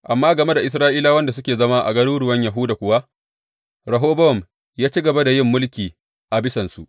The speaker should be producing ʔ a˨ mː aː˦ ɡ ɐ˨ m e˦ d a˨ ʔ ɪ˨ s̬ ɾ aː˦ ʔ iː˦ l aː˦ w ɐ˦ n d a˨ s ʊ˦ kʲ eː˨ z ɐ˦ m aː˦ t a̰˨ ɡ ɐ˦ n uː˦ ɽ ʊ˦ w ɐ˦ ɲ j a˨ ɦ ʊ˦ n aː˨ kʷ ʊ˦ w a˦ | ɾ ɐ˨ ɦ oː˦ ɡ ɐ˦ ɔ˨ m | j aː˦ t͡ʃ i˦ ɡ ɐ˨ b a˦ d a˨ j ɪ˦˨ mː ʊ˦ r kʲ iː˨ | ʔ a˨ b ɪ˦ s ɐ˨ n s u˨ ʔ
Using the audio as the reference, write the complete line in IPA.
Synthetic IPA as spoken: ʔ a˨ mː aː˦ ɡ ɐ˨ m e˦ d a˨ ʔ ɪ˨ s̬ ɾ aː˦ ʔ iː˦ l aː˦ w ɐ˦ n d a˨ s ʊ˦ kʲ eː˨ z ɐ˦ m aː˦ ʔ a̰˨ ɡ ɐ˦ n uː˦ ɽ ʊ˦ w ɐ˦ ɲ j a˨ ɦ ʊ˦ d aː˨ kʷ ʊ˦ w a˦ | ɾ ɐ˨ ɦ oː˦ b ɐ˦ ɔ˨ m | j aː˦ t͡ʃ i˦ ɡ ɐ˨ b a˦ d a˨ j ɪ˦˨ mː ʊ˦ l kʲ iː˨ | ʔ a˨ b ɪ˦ s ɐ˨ n s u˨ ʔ